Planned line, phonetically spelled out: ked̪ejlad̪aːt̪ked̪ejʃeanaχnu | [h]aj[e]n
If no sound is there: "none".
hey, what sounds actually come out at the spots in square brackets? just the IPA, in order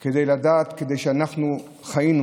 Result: χ, i

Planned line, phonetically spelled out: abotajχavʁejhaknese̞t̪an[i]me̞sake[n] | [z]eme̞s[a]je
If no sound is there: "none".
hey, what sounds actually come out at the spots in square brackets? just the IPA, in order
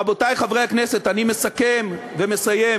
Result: i, m, v, a

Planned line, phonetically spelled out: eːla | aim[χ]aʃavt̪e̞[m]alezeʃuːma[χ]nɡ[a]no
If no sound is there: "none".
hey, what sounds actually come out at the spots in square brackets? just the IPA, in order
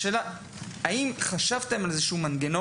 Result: χ, m, none, e

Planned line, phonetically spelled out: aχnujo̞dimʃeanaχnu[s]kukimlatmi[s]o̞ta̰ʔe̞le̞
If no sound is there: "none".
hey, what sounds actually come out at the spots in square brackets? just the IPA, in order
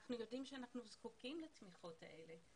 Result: z, χ

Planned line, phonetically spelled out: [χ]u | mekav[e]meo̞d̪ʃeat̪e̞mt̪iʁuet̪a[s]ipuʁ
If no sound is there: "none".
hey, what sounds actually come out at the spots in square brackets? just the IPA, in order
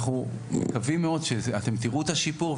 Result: χ, i, ʃ

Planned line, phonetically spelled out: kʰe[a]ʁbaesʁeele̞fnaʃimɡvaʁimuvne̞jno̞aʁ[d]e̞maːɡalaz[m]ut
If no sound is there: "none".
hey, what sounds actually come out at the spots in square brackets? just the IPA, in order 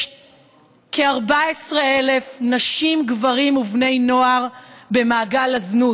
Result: a, b, n

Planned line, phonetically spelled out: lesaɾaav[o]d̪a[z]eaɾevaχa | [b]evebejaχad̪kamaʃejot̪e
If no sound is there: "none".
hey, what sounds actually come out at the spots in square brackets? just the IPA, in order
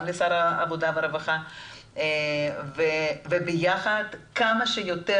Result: o, v, v

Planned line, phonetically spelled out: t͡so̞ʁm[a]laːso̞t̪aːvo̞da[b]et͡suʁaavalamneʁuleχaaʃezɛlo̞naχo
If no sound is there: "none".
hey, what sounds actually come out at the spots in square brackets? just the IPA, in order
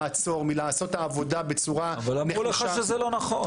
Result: i, b

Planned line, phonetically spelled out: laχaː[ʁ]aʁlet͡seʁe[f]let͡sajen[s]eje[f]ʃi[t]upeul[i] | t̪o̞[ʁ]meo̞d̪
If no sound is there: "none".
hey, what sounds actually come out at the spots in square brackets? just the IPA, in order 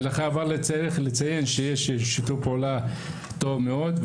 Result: v, χ, ʃ, ʃ, t, a, v

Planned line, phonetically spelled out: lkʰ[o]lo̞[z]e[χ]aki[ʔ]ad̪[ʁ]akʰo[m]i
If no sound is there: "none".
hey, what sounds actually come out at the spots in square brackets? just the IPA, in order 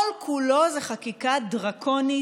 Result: u, z, χ, k, ʁ, n

